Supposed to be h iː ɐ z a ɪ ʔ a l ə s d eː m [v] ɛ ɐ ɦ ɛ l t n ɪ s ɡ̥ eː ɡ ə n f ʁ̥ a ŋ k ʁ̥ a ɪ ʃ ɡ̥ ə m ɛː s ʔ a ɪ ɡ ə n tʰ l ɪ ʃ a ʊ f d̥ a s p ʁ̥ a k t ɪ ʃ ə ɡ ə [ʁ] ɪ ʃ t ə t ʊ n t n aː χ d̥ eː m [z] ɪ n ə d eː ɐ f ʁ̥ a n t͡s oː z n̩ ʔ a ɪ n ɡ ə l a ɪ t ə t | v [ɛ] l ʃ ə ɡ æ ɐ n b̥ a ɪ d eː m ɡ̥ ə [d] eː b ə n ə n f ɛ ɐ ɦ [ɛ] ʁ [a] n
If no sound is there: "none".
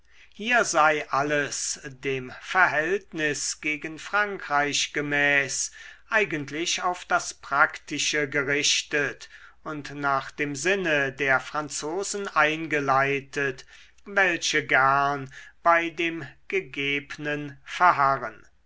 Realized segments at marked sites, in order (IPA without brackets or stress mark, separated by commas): f, ʁ, z, ɛ, ɡ, a, ə